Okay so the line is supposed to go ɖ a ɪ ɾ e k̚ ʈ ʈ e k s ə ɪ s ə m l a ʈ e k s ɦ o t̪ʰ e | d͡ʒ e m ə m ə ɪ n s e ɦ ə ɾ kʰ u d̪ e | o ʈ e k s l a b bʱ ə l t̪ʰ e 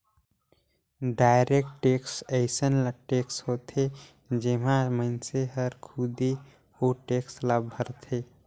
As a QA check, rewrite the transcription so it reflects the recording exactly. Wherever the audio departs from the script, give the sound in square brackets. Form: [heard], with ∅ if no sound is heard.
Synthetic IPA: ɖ a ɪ ɾ e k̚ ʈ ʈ e k s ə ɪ s ə [n] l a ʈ e k s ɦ o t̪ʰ e | d͡ʒ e m [a] m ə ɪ n s e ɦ ə ɾ kʰ u d̪ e | o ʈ e k s l a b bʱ ə [ɾ] t̪ʰ e

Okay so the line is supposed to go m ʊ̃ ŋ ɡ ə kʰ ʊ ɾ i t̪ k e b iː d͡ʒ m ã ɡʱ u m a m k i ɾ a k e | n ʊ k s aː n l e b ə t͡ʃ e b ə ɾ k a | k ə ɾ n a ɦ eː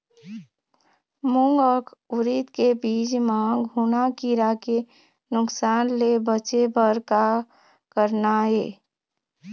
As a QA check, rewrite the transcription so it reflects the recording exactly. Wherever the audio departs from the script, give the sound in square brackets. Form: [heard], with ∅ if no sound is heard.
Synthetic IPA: m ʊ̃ ŋ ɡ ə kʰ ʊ ɾ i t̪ k e b iː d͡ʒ m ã ɡʱ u [n] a [∅] k i ɾ a k e | n ʊ k s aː n l e b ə t͡ʃ e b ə ɾ k a | k ə ɾ n a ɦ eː

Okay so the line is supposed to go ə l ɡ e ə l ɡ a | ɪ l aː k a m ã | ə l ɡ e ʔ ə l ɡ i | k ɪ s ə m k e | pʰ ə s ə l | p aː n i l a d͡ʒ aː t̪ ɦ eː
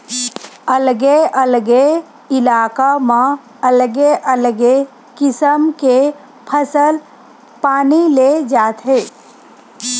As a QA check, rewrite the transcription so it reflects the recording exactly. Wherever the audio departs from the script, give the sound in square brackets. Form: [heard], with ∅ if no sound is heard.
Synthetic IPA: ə l ɡ e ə l ɡ [e] | ɪ l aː k a m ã | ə l ɡ e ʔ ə l ɡ [e] | k ɪ s ə m k e | pʰ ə s ə l | p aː n i l [e] d͡ʒ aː t̪ ɦ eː

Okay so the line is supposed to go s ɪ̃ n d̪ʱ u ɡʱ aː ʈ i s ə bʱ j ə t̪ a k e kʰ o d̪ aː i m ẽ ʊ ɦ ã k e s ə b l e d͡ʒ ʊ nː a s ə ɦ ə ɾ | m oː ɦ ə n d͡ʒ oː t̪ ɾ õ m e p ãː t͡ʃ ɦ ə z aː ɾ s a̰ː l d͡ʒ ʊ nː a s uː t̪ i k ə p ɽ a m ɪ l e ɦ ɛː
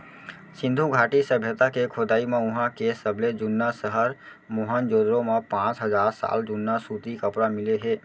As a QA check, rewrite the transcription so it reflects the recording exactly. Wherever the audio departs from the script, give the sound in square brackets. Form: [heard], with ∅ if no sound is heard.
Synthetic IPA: s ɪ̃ n d̪ʱ u ɡʱ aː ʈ i s ə bʱ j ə t̪ a k e kʰ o d̪ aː i m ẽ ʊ ɦ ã k e s ə b l e d͡ʒ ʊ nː a s ə ɦ ə ɾ | m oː ɦ ə n d͡ʒ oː [d̪] ɾ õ m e p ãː t͡ʃ ɦ ə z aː ɾ s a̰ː l d͡ʒ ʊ nː a s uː t̪ i k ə p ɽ a m ɪ l e ɦ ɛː

